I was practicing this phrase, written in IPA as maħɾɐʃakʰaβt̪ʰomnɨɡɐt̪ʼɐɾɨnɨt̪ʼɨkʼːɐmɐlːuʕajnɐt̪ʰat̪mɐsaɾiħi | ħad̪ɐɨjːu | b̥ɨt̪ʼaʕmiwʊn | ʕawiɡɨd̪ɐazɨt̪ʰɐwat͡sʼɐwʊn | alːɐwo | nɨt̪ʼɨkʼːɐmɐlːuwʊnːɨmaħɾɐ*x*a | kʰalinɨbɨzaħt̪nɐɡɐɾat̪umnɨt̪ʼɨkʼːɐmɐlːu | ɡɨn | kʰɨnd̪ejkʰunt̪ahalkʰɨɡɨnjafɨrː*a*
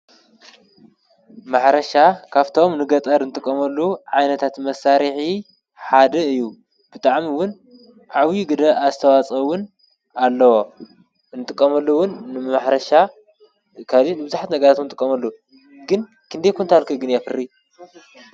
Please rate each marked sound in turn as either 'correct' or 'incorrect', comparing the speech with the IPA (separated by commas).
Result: incorrect, incorrect